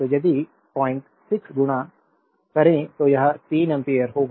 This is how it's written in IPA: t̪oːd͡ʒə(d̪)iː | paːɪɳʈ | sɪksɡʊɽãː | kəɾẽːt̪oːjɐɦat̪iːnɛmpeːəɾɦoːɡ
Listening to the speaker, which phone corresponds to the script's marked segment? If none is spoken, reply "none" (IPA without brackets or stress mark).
d̪